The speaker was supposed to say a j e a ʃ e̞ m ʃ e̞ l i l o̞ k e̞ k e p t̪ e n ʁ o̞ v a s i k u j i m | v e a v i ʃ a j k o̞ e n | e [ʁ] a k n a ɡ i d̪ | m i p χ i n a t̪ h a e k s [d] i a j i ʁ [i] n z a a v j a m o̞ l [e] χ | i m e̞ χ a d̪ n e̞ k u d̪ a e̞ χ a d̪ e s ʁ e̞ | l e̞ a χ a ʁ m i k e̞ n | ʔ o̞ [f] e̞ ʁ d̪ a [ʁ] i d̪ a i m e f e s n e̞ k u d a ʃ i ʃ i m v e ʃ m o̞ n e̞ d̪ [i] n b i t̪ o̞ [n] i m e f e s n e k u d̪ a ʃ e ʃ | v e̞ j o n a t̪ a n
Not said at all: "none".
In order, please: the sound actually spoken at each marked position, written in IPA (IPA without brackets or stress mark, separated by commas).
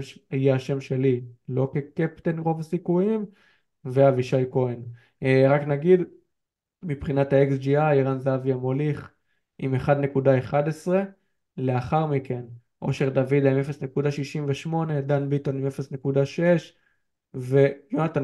ʁ, d͡ʒ, a, i, ʃ, v, a, n